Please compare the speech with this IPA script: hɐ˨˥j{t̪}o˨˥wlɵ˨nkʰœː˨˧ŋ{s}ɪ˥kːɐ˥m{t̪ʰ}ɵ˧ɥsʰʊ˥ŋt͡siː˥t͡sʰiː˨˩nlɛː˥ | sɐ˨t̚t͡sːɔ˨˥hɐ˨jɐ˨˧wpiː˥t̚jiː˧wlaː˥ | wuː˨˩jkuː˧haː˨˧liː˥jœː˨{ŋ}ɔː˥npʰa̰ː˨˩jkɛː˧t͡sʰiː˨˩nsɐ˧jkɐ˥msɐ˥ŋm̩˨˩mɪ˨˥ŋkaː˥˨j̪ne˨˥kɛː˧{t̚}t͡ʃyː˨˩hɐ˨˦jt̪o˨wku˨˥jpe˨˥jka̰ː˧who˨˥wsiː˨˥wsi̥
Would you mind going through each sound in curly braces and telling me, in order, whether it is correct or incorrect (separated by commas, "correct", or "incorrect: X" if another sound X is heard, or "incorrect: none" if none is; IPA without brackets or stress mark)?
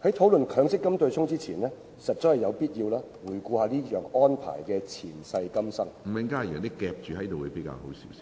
incorrect: t̪ʰ, correct, incorrect: t̪, correct, incorrect: p̚